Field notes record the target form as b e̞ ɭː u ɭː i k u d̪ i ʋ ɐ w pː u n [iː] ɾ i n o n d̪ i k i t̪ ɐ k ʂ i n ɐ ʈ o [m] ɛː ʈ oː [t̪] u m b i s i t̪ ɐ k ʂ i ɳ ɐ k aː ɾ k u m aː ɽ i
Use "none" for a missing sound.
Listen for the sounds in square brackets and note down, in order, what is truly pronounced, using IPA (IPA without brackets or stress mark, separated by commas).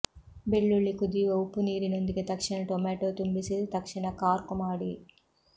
iː, m, t̪